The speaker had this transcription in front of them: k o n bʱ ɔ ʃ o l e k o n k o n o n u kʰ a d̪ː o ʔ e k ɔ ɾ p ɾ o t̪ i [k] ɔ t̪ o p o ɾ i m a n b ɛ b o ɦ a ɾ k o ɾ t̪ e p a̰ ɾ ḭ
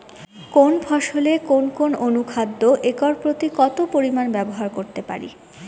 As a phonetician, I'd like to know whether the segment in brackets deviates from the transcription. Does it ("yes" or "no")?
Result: no